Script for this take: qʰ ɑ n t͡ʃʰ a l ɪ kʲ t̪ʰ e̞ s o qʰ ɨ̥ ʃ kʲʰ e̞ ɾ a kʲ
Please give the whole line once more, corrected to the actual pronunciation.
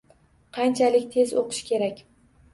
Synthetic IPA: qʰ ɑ n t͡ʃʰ a l ɪ kʲ t̪ʰ e̞ z o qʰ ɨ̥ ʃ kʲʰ e̞ ɾ a kʲ